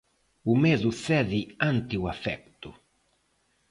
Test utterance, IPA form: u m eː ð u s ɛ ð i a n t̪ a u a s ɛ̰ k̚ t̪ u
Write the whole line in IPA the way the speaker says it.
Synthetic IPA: u m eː z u s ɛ ð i a n t̪ i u a f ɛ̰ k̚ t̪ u